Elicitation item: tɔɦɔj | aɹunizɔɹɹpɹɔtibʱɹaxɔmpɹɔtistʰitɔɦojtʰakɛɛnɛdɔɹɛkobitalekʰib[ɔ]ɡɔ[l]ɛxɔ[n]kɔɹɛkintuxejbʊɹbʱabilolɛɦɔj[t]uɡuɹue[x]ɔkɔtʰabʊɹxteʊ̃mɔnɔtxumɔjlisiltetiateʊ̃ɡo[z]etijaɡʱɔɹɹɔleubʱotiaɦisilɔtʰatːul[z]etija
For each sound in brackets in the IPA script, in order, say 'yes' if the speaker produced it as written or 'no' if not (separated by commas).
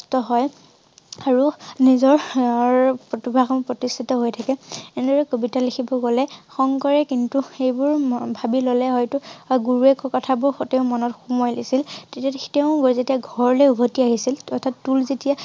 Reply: yes, yes, no, yes, no, yes, yes